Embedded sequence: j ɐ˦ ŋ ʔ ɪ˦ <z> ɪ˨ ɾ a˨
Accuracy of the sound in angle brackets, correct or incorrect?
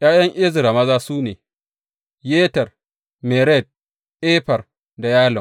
correct